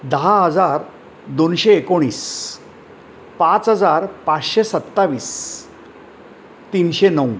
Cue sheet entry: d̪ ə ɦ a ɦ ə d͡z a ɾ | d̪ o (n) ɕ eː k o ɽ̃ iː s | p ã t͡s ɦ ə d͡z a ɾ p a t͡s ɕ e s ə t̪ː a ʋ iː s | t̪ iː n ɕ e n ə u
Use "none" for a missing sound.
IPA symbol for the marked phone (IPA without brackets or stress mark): n